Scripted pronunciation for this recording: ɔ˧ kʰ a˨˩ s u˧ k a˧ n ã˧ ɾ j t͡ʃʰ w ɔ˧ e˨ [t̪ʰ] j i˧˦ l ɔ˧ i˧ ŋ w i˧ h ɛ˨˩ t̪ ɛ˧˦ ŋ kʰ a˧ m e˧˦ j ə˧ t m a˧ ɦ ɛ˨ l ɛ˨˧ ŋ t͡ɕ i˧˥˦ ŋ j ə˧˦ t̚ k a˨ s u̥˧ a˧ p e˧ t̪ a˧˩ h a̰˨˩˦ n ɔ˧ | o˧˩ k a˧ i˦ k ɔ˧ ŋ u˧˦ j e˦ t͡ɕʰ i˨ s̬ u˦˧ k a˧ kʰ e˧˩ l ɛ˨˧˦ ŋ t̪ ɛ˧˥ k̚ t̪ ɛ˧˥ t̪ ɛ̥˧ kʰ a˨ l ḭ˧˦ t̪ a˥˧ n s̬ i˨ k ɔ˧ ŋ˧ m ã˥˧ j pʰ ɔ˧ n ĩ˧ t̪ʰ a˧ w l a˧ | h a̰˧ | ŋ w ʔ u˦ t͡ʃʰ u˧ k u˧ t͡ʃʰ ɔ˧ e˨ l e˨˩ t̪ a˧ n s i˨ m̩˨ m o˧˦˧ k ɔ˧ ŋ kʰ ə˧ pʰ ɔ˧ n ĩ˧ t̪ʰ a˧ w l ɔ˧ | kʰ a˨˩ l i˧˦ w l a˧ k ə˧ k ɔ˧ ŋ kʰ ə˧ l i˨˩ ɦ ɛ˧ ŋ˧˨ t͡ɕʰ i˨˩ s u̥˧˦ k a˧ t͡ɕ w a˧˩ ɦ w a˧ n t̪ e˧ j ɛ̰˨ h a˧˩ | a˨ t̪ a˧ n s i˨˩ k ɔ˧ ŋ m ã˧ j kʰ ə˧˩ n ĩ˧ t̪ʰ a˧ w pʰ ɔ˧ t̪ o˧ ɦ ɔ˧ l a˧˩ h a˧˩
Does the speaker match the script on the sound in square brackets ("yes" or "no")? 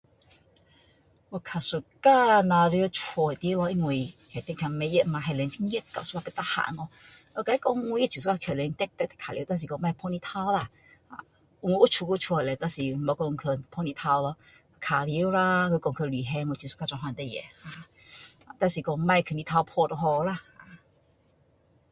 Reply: no